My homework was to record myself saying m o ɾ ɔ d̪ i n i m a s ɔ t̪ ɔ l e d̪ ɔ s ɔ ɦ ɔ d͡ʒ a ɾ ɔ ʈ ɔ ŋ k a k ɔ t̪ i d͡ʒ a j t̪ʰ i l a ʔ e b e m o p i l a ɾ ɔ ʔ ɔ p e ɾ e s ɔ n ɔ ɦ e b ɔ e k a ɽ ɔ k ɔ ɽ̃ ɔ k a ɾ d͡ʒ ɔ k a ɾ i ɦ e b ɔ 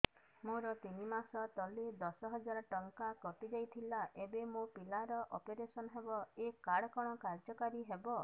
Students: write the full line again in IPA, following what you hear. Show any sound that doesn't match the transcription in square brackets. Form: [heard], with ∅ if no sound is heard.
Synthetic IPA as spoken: m o ɾ ɔ [t̪] i n i m a s ɔ t̪ ɔ l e d̪ ɔ s ɔ ɦ ɔ d͡ʒ a ɾ ɔ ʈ ɔ ŋ k a k ɔ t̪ i d͡ʒ a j t̪ʰ i l a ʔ e b e m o p i l a ɾ ɔ ʔ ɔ p e ɾ e s ɔ n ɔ ɦ e b ɔ e k a ɽ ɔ k ɔ ɽ̃ ɔ k a ɾ d͡ʒ ɔ k a ɾ i ɦ e b ɔ